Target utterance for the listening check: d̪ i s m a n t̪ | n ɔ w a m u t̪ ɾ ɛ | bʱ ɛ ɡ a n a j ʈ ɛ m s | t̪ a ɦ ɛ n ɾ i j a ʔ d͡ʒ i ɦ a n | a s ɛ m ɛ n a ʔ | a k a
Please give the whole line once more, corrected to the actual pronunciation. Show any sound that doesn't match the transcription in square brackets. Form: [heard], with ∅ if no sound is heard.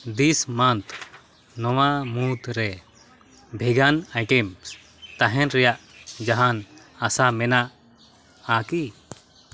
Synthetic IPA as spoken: d̪ i s m a n t̪ | n ɔ w a m u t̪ ɾ ɛ | bʱ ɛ ɡ a n a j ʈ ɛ m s | t̪ a ɦ ɛ n ɾ [ɛ] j a ʔ d͡ʒ [a] ɦ a n | a s [a] m ɛ n a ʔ | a k [i]